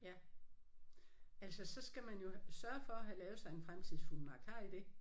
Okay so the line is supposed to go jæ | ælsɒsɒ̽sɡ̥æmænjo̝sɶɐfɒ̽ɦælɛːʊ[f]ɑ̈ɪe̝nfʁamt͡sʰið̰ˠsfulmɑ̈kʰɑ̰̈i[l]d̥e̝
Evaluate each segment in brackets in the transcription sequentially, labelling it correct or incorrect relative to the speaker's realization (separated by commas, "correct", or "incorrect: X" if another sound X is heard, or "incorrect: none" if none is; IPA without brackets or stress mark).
incorrect: s, incorrect: none